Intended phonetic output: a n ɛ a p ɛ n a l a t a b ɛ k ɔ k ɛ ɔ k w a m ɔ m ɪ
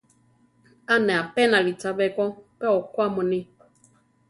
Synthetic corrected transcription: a n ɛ a p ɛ n a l i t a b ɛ k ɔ p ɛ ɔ k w a m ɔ n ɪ